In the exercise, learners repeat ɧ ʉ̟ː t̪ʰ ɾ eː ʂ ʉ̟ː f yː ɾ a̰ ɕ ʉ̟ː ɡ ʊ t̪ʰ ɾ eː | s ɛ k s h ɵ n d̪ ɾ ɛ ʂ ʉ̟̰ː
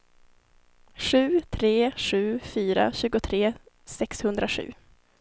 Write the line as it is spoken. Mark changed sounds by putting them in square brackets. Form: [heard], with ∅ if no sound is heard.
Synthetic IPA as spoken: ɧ ʉ̟ː t̪ʰ ɾ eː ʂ ʉ̟ː f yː ɾ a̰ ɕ ʉ̟ː ɡ ʊ t̪ʰ ɾ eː | s ɛ k s h ɵ n d̪ ɾ [a] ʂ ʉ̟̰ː